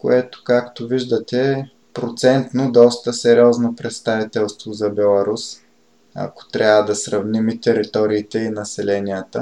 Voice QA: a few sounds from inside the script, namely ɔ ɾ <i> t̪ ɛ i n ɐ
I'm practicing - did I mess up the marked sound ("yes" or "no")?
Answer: yes